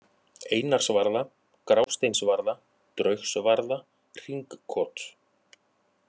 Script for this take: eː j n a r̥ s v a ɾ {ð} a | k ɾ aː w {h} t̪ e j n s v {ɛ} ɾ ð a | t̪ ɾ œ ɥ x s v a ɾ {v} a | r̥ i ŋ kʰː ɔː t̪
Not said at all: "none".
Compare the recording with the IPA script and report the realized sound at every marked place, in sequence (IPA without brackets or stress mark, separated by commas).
ð, s, a, ð